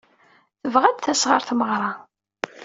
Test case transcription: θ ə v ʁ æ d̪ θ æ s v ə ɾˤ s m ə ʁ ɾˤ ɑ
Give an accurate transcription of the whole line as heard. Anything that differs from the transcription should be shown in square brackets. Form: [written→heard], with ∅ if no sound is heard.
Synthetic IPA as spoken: θ ə v ʁ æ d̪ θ æ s [v→ʁ] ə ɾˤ [s→θ] m ə ʁ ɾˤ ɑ